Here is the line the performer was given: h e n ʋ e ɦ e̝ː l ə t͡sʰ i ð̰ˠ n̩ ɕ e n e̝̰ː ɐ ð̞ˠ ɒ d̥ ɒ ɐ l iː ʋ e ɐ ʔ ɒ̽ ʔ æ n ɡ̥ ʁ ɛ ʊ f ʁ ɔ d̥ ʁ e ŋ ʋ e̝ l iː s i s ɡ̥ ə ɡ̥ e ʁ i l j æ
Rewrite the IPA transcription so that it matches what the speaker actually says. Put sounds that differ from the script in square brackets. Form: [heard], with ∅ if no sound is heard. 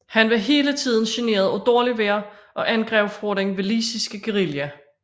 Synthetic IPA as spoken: h [æ] n ʋ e ɦ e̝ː l ə t͡sʰ i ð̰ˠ n̩ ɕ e n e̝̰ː ɐ ð̞ˠ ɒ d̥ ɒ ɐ l [i] ʋ e ɐ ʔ ɒ̽ ʔ æ n ɡ̥ ʁ ɛ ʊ f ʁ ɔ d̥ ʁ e ŋ ʋ e̝ l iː s i s ɡ̥ ə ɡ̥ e ʁ i l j æ

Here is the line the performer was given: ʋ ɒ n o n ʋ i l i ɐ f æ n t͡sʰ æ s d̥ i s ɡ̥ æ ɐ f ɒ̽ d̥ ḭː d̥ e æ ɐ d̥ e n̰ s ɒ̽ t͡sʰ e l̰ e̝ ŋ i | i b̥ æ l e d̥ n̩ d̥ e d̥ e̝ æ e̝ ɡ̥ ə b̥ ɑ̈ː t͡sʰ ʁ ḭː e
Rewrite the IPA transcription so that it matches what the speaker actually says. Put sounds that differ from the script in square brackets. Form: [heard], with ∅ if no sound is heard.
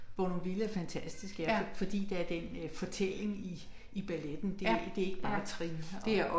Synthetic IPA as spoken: ʋ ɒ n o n ʋ i l [æ] ɐ f æ n t͡sʰ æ s d̥ i s ɡ̥ æ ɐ f ɒ̽ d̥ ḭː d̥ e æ ɐ d̥ e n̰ [f] ɒ̽ t͡sʰ e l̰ e̝ ŋ i | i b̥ æ l e d̥ n̩ d̥ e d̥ e̝ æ e̝ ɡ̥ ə b̥ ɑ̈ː t͡sʰ ʁ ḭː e

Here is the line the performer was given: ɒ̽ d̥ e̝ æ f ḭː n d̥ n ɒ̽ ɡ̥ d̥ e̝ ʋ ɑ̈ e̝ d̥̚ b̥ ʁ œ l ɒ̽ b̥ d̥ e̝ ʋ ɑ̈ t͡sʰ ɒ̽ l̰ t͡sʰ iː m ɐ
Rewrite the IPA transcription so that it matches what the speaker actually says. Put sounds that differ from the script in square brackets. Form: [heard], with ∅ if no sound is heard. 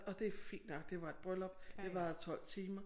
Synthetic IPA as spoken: ɒ̽ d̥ e̝ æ f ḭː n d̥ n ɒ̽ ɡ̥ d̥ e̝ ʋ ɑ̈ e̝ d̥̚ b̥ ʁ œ l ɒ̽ b̥ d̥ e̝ ʋ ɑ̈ t͡sʰ ɒ̽ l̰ t͡sʰ iː m ɐ

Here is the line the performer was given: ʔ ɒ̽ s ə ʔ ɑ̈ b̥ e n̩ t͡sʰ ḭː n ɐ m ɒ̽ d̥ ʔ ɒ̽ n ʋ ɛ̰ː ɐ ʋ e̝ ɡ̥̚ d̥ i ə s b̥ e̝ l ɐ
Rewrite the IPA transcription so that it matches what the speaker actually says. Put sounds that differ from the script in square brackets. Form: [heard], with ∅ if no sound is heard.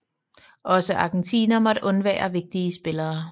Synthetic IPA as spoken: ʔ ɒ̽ s ə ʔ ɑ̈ [ɡ̥] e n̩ t͡sʰ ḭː n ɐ m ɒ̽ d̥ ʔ [ɔ̽] n ʋ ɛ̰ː ɐ ʋ e̝ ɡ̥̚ d̥ i ə s b̥ e̝ l [ɐː]

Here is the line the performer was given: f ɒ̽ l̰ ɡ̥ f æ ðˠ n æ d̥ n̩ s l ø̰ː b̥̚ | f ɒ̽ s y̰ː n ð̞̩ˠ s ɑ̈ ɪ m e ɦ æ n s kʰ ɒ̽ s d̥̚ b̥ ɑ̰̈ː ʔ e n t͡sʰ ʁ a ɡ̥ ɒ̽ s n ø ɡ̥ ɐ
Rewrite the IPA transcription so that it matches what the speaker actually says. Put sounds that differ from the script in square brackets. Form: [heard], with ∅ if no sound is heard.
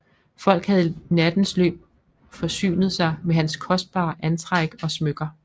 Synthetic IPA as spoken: f ɒ̽ l̰ ɡ̥ [h] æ ðˠ n æ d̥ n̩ s l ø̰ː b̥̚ | f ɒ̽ s y̰ː n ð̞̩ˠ s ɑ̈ ɪ m e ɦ æ n s kʰ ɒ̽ s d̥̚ b̥ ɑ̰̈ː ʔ [æ] n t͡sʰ ʁ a ɡ̥ ɒ̽ s [m] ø ɡ̥ ɐ

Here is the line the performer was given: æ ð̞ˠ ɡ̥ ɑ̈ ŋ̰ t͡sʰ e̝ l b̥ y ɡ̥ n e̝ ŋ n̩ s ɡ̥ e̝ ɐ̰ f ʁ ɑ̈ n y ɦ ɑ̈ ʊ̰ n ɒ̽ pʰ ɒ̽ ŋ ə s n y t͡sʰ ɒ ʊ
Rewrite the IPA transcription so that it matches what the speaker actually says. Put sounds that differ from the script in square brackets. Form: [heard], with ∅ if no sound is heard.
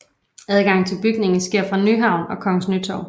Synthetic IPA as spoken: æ ð̞ˠ ɡ̥ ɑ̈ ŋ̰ t͡sʰ e̝ l b̥ y ɡ̥ n e̝ ŋ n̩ s ɡ̥ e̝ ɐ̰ f ʁ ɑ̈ n y ɦ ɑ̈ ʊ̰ n ɒ̽ [kʰ] ɒ̽ ŋ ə s n y t͡sʰ ɒ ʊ

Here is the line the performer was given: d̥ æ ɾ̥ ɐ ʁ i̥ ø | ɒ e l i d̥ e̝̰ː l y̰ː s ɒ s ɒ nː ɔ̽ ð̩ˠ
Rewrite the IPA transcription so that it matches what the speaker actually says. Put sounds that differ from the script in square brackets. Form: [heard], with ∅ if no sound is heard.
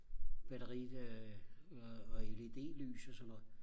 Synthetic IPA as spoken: [b̥] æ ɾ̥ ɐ ʁ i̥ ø | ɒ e l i d̥ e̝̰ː l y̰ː s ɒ s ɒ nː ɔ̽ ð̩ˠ

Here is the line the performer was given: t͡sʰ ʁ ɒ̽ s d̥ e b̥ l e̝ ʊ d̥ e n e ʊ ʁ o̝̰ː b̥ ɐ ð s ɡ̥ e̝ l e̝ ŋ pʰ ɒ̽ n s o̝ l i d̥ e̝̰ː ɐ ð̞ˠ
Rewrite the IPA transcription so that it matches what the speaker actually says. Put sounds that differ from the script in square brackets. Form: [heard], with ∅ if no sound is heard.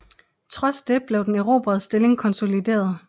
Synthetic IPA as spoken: t͡sʰ ʁ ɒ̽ s d̥ e b̥ l e̝ ʊ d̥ e n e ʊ ʁ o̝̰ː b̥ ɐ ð s [d̥] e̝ l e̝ ŋ [kʰ] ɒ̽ n s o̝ l i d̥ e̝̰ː ɐ ð̞ˠ

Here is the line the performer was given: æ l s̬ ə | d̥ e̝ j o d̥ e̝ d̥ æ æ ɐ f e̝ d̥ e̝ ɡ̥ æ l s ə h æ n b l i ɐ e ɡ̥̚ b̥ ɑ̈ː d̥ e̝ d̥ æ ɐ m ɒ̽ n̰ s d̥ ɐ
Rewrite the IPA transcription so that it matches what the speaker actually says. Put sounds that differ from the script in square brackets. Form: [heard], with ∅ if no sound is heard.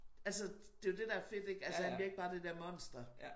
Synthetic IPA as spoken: æ l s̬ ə | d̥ e̝ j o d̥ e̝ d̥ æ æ ɐ f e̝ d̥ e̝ ɡ̥ æ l s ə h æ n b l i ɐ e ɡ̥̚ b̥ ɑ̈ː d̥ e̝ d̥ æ ɐ m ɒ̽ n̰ s d̥ ɐ

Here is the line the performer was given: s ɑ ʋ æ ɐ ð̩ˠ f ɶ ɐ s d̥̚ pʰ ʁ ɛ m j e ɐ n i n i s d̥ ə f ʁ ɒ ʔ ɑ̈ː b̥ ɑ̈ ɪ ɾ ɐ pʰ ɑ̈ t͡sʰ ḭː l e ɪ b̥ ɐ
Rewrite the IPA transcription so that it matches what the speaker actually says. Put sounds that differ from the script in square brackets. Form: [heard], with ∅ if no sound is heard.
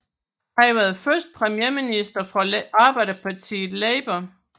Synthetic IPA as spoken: [h] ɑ ʋ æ ɐ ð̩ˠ f ɶ ɐ s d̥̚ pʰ ʁ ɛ m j e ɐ [m] i n i s d̥ [ɐ] f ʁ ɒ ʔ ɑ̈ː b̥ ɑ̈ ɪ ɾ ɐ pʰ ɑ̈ t͡sʰ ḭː l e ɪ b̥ ɐ

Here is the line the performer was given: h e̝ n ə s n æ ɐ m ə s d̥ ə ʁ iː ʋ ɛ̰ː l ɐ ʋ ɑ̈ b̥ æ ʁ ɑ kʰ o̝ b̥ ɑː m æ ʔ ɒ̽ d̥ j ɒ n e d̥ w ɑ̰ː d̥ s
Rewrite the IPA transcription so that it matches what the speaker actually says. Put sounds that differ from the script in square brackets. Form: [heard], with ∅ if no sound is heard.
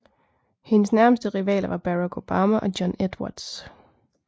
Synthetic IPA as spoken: h e̝ n ə s n æ ɐ m ə s d̥ ə ʁ [i] ʋ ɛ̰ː l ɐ ʋ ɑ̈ b̥ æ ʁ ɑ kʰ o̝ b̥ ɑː m æ ʔ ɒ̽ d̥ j ɒ n e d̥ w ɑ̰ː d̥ s

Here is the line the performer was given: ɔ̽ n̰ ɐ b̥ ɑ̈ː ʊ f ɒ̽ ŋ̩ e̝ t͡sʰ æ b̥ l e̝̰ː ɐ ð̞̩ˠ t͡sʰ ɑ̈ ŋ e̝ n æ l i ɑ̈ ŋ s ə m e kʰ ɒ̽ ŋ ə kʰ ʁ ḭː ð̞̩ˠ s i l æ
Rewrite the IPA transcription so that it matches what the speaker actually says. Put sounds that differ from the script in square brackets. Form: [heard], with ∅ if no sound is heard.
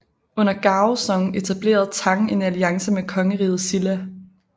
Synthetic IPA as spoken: ɔ̽ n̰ ɐ [ɡ̥] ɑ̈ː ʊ [s] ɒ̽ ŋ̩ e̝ t͡sʰ æ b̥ l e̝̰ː ɐ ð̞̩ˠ t͡sʰ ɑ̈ ŋ e̝ n æ l i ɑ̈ ŋ s ə m e kʰ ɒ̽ ŋ ə [∅] ʁ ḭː ð̞̩ˠ s i l æ

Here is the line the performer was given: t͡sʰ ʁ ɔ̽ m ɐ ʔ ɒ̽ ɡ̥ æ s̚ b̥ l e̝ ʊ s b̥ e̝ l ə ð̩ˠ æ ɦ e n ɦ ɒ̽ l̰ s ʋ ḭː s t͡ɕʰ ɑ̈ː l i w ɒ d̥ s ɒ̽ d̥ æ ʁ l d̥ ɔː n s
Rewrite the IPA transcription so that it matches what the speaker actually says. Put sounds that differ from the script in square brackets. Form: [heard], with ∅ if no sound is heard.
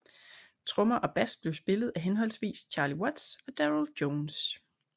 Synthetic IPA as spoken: t͡sʰ ʁ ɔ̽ m ɐ ʔ ɒ̽ [b̥] æ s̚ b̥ l e̝ ʊ s b̥ e̝ l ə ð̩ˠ æ ɦ e n ɦ ɒ̽ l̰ s ʋ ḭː s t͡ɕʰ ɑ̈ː l i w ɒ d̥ s ɒ̽ d̥ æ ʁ l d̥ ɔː n s

